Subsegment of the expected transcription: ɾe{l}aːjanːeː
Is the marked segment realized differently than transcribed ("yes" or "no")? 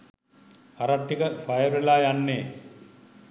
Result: no